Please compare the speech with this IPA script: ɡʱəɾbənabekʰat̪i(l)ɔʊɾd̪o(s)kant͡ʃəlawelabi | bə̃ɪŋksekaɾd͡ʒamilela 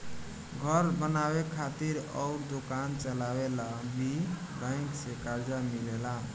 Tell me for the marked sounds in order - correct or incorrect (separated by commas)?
incorrect, incorrect